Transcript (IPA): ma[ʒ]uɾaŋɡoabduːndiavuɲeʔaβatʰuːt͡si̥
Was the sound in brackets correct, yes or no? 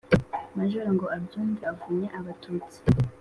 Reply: yes